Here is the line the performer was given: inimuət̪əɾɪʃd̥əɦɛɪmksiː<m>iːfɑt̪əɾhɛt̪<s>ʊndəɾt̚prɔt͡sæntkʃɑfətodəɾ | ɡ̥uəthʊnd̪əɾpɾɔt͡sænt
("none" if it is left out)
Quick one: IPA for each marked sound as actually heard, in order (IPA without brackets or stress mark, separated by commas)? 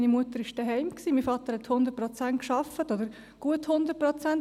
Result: m, h